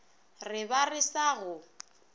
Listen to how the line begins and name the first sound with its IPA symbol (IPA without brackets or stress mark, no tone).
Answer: r